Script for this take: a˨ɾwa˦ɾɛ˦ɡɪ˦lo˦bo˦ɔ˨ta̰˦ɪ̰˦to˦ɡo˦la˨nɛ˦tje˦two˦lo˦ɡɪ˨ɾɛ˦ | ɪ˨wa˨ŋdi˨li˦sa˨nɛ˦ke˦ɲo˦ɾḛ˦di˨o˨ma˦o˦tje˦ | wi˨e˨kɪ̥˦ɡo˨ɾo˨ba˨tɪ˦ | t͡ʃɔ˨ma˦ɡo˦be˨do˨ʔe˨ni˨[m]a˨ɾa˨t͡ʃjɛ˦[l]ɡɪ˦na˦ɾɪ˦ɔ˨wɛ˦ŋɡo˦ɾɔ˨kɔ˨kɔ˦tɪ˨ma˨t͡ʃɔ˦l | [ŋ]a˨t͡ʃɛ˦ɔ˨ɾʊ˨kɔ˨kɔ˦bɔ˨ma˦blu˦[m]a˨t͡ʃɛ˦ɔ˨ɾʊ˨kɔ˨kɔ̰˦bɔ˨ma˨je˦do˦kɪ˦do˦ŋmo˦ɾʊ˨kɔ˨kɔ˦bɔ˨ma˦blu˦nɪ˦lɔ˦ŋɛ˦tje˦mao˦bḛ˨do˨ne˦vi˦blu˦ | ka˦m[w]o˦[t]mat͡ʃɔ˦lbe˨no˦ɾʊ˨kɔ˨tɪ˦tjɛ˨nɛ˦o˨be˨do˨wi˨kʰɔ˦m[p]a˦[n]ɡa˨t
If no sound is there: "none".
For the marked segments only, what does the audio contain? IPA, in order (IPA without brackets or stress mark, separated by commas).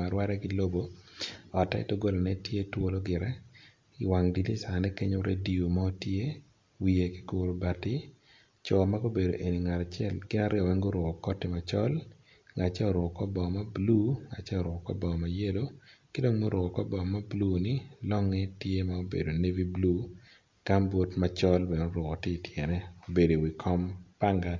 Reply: ŋ, l, ŋ, ŋ, b, t, p, ŋ